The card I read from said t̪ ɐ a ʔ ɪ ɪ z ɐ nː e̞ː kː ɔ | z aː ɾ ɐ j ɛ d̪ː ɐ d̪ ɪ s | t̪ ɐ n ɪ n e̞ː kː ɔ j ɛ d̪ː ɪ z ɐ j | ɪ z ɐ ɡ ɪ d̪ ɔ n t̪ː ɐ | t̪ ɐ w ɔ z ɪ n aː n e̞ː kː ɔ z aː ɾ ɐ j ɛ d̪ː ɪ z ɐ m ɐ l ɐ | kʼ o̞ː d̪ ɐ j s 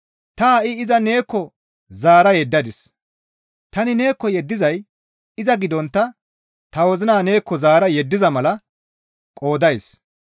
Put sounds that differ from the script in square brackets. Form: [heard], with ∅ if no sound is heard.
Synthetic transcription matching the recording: t̪ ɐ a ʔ ɪ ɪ z ɐ [n] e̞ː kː ɔ | z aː ɾ ɐ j ɛ d̪ː ɐ d̪ ɪ s | t̪ ɐ n ɪ n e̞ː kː ɔ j ɛ d̪ː ɪ z ɐ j | ɪ z ɐ ɡ ɪ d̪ ɔ n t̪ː ɐ | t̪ ɐ w ɔ z ɪ n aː n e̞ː kː ɔ z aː ɾ ɐ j ɛ d̪ː ɪ z ɐ m ɐ l ɐ | kʼ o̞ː d̪ ɐ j s